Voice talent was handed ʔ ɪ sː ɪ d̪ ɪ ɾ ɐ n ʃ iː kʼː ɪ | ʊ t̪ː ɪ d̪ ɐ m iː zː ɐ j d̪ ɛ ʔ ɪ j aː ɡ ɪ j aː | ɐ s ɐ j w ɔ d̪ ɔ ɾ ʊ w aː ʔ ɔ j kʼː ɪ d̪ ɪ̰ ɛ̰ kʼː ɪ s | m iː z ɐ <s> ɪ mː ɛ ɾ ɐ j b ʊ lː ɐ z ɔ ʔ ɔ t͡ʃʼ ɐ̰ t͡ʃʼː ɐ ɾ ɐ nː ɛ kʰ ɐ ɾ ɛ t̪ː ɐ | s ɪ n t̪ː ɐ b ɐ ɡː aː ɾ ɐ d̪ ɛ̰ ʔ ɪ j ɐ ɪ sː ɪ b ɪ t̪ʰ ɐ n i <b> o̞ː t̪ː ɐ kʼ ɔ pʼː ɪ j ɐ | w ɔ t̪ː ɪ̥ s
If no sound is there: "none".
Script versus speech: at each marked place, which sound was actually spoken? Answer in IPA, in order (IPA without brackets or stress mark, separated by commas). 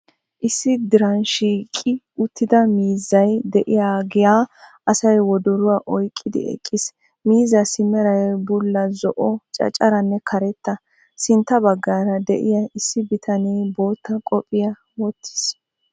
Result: s, b